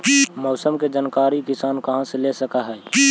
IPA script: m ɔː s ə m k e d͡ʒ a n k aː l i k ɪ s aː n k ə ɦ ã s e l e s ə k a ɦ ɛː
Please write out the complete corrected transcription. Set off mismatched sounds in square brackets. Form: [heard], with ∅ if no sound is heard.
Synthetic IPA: m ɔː s ə m k e d͡ʒ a n k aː [ɾ] i k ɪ s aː n k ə ɦ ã s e l e s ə k a ɦ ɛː